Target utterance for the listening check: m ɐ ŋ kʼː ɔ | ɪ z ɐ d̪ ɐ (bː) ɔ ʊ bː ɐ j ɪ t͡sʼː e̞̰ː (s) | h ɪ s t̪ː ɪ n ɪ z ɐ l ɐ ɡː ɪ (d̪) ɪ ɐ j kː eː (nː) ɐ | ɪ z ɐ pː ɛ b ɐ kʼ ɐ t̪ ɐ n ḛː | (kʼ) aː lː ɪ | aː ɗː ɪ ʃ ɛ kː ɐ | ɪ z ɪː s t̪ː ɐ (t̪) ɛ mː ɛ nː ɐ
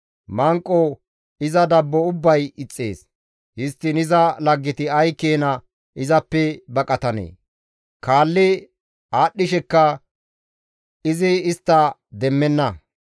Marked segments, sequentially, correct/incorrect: correct, correct, incorrect: t̪, incorrect: n, incorrect: k, incorrect: d̪

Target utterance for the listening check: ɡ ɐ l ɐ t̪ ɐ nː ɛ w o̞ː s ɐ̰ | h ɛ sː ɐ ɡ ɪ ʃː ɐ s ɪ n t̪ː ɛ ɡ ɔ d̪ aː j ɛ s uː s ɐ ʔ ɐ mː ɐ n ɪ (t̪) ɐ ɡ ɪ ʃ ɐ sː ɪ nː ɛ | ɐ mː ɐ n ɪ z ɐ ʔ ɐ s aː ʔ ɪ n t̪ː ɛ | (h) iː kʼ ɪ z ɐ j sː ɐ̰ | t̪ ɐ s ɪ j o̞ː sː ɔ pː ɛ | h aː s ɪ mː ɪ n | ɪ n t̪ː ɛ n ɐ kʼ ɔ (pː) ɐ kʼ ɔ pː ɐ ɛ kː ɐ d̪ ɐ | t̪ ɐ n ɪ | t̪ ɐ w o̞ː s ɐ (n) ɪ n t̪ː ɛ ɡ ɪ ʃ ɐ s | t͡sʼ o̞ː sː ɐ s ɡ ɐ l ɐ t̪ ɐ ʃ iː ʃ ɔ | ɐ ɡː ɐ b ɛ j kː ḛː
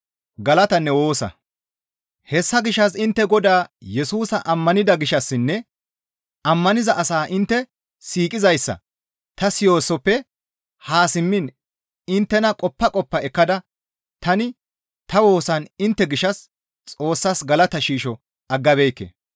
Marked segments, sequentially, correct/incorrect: incorrect: d̪, incorrect: s, correct, correct

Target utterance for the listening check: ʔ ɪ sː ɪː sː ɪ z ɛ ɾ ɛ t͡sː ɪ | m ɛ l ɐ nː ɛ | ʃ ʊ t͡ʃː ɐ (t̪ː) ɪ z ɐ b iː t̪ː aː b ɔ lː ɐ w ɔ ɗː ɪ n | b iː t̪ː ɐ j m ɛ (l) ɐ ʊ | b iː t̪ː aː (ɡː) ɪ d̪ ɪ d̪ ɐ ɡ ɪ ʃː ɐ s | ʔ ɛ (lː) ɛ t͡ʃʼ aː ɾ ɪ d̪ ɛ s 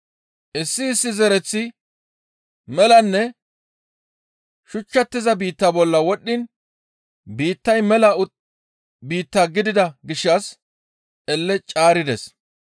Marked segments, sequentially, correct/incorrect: correct, correct, incorrect: ɡ, correct

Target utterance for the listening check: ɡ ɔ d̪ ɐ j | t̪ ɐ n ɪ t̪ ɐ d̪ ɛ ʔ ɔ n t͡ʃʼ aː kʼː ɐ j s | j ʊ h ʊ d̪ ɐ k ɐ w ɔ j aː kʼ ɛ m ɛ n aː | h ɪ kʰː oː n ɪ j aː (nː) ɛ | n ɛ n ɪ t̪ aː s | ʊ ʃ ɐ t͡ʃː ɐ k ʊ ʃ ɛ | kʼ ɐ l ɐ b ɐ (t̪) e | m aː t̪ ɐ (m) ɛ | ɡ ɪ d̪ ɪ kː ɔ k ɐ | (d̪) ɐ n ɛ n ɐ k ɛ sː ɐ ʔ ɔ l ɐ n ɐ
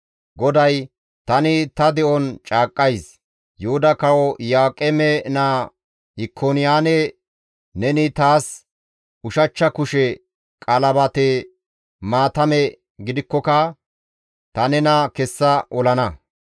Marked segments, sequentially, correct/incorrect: incorrect: n, correct, correct, incorrect: t̪

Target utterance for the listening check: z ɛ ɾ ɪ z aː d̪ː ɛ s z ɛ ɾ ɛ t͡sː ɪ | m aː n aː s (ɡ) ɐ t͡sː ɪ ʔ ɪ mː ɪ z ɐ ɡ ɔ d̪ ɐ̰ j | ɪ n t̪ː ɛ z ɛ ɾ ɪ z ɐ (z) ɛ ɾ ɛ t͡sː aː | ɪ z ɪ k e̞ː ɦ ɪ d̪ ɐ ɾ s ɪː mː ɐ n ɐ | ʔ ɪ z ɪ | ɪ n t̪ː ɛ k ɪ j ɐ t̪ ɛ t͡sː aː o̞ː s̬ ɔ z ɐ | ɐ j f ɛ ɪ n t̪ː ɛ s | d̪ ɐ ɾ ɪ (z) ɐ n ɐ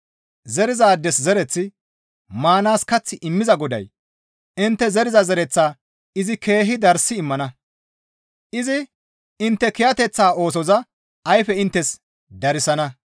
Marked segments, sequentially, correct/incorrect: incorrect: k, correct, incorrect: s

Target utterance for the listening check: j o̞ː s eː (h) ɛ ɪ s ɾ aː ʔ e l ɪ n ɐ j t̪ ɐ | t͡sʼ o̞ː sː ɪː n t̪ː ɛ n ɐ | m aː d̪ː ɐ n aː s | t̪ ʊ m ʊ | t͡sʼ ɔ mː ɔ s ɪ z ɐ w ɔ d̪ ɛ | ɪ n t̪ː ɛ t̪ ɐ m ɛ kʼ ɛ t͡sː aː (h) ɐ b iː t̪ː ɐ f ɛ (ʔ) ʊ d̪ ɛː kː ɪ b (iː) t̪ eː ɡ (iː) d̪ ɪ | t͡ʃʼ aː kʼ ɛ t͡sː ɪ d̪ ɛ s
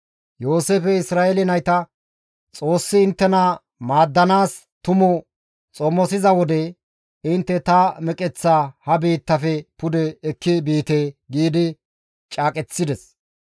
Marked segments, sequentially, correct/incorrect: incorrect: f, correct, incorrect: p, correct, correct

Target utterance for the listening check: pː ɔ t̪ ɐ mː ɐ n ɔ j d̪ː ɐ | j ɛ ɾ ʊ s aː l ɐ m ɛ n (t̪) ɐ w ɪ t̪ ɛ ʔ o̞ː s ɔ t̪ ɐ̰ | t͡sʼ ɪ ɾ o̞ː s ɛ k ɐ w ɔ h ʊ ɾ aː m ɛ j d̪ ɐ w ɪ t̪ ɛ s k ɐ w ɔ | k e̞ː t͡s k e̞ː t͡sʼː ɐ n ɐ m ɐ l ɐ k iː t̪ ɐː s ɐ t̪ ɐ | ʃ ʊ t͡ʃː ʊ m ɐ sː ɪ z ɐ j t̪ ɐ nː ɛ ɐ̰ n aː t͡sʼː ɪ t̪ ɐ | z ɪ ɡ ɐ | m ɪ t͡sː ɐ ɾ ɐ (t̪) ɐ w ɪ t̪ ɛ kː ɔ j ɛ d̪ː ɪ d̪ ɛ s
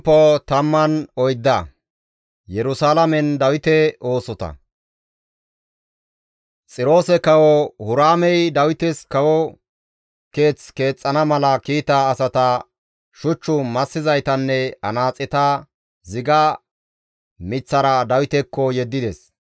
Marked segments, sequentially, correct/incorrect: incorrect: d̪, incorrect: d̪

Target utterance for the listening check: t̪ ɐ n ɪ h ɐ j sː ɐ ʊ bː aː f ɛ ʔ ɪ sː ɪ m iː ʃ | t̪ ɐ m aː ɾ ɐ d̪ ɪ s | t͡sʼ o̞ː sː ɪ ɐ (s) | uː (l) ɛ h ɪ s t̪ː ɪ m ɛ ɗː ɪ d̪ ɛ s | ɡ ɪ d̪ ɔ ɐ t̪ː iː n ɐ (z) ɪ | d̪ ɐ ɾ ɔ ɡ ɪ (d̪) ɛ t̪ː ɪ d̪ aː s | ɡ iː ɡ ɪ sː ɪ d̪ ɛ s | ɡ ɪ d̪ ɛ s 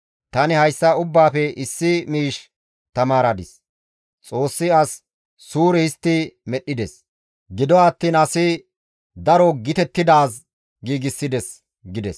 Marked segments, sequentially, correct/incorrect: incorrect: sː, incorrect: ɾ, incorrect: s, incorrect: t̪

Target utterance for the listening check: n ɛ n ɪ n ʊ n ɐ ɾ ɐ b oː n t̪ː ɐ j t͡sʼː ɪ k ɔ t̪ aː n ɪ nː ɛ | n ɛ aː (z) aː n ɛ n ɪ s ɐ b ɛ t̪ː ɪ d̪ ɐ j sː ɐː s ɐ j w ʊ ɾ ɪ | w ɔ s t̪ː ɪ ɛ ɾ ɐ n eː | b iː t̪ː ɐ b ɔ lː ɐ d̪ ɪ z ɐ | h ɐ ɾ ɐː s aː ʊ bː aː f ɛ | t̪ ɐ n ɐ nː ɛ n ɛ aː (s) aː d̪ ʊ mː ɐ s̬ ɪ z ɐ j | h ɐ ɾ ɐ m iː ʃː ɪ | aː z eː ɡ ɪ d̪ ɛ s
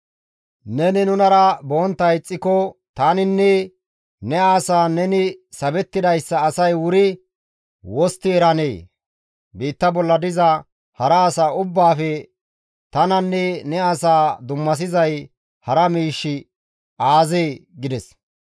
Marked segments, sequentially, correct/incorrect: incorrect: s, correct

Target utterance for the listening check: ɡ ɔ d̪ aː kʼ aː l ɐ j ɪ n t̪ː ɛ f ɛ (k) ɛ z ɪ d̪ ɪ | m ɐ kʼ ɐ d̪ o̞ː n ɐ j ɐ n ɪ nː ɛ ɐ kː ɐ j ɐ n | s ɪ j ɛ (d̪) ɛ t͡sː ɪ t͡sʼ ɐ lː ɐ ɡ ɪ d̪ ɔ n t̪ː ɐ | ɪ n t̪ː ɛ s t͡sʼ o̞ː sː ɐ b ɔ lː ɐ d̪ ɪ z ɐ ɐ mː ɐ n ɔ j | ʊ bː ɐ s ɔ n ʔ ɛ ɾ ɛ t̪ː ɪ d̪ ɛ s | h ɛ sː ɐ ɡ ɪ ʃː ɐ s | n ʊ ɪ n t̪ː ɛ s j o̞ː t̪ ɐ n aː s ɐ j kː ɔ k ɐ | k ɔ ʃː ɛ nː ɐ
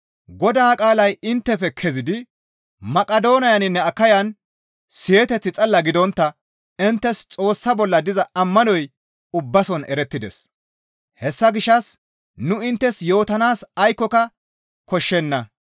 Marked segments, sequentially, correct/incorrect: incorrect: kʰ, incorrect: t̪

